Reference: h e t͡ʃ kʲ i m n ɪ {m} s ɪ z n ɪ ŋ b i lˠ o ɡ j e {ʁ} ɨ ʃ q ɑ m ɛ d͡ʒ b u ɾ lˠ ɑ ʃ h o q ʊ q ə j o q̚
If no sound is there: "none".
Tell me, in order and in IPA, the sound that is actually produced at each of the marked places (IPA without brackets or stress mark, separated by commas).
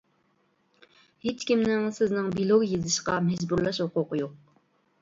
ŋ, z